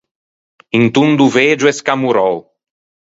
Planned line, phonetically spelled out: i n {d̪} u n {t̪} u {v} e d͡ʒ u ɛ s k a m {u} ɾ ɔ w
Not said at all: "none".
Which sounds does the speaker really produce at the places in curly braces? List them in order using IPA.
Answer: t̪, d̪, v, u

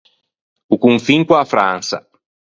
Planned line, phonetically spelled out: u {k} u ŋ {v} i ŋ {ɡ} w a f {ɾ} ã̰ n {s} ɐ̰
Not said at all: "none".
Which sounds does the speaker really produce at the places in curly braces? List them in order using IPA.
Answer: k, f, k, ɾ, s

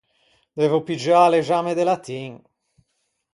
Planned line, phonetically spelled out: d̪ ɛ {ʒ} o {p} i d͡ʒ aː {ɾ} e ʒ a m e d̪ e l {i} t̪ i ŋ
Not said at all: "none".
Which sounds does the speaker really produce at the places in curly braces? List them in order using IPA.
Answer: v, p, l, a

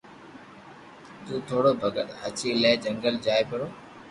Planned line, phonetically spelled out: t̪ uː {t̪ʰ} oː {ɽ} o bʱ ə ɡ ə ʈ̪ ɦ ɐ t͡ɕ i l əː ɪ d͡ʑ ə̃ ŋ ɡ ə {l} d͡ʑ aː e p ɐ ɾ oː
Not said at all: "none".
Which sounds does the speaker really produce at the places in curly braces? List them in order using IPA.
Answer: t̪ʰ, ɽ, l

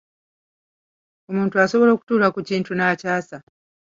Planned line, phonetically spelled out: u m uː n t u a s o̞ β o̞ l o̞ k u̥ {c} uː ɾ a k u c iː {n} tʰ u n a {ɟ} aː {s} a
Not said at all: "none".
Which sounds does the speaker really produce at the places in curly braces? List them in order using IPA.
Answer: t, n, c, s

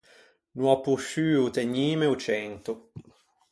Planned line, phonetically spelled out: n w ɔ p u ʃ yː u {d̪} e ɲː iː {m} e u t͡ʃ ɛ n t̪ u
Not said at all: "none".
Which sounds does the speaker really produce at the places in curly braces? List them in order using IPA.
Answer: t̪, m

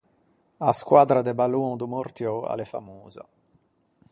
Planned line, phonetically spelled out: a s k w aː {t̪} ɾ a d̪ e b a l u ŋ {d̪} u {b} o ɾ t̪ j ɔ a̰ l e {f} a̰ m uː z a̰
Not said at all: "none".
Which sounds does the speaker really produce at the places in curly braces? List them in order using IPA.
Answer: d̪, d̪, m, f

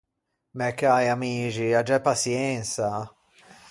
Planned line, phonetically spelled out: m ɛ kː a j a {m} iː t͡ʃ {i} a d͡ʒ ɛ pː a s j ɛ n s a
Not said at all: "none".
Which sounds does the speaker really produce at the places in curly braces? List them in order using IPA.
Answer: m, i

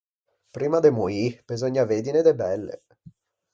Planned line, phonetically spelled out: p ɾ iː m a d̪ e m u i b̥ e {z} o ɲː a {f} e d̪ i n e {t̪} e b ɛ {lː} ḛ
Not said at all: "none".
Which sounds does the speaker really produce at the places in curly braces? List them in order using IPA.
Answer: z, v, d̪, lː

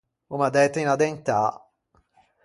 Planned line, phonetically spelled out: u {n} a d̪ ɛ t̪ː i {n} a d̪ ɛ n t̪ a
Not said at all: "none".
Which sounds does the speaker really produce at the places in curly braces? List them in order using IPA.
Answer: m, n

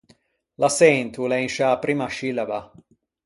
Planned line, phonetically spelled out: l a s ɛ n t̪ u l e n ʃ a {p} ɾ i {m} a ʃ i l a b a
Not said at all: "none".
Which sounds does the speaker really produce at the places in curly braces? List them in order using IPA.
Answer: p, m

